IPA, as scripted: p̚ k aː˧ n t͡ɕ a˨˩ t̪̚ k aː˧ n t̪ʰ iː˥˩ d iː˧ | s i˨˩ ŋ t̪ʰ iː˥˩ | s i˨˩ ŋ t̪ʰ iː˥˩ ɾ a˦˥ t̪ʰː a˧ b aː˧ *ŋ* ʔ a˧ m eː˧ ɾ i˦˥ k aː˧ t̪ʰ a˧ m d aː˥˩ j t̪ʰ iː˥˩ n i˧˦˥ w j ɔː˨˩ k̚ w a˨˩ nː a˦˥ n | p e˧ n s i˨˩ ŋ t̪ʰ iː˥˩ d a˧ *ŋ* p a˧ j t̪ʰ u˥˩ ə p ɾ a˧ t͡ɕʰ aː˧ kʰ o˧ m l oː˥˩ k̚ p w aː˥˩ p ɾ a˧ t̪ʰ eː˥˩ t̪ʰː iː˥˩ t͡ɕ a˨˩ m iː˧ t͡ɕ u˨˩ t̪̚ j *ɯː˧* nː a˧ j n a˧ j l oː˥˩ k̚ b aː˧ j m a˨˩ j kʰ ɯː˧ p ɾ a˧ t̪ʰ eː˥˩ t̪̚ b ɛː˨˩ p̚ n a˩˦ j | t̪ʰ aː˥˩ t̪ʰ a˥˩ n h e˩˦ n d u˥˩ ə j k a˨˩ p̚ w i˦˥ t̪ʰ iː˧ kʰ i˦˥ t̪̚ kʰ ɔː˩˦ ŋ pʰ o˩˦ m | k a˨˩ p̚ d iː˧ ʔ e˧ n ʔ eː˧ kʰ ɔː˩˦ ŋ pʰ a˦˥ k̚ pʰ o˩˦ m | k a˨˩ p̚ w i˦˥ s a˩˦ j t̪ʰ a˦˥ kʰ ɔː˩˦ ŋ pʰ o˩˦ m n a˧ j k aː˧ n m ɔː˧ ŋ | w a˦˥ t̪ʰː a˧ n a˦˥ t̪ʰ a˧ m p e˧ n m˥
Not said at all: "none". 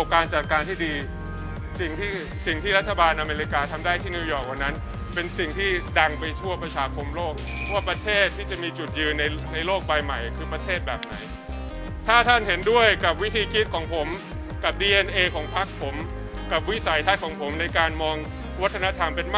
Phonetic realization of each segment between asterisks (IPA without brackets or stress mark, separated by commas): n, ŋ, ɯː˧